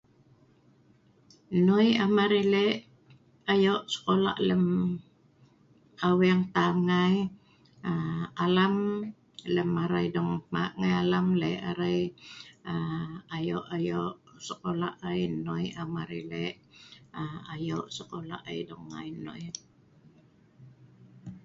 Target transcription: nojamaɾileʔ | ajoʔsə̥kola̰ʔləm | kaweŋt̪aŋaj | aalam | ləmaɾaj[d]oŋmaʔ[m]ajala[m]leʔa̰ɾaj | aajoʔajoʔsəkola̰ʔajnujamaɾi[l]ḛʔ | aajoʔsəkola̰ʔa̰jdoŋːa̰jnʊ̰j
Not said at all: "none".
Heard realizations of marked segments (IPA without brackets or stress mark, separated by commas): d, ŋ, m, l